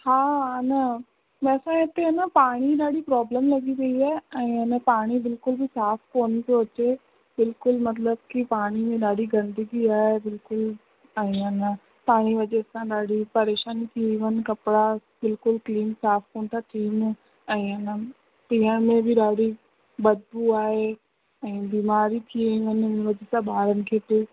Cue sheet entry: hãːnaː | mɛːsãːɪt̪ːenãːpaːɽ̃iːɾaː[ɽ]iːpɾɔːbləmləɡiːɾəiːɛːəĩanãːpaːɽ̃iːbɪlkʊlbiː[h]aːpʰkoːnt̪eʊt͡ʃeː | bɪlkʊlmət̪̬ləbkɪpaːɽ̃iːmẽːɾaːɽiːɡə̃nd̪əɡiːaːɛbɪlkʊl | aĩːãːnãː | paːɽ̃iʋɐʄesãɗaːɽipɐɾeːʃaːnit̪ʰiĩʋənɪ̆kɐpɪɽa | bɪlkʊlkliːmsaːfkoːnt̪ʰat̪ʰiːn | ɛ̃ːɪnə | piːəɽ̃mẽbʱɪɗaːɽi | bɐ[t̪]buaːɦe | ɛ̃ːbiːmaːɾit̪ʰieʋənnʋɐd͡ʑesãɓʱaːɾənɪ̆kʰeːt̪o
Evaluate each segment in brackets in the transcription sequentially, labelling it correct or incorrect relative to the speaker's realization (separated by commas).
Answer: correct, incorrect, incorrect